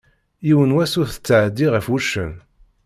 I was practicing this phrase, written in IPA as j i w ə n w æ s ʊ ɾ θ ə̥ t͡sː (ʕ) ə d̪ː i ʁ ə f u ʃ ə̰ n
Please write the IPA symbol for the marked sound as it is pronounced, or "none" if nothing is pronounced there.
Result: ʕ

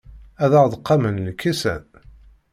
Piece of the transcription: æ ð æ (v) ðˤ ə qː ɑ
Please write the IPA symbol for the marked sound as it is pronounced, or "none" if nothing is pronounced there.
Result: ʁ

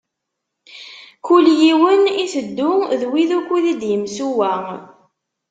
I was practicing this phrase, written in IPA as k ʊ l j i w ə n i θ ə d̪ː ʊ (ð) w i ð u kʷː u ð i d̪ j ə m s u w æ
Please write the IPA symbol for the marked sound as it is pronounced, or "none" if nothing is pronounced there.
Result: ð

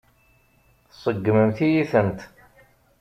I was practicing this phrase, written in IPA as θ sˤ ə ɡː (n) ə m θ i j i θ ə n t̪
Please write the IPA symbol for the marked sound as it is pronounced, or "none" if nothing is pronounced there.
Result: m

